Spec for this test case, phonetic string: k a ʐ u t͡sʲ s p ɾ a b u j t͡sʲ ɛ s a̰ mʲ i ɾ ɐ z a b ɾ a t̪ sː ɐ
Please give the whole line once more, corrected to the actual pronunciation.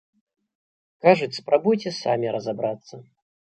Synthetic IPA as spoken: k a ʐ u t͡sʲ s p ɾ a b u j t͡sʲ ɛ s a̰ mʲ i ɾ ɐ z a b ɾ a t̪ sː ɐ